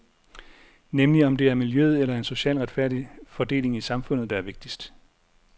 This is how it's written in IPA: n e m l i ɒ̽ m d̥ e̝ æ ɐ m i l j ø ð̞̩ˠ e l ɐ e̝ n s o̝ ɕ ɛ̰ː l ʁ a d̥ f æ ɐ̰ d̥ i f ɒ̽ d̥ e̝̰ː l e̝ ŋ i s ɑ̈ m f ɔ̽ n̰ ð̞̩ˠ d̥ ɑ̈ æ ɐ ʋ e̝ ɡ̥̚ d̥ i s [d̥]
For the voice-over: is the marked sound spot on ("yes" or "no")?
yes